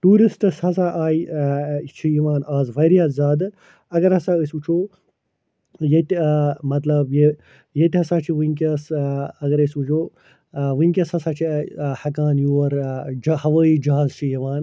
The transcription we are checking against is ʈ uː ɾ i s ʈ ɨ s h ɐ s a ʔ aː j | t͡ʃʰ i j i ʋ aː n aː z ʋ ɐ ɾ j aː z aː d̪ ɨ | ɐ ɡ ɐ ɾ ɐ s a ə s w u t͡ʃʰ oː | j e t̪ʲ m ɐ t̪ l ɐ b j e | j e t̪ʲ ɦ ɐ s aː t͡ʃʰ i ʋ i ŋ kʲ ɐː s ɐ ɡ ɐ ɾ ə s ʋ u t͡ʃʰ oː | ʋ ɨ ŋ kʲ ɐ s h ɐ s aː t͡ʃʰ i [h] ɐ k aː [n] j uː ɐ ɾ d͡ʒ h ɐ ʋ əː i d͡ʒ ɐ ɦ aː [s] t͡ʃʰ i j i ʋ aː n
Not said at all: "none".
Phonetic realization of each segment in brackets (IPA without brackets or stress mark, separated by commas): h, n, z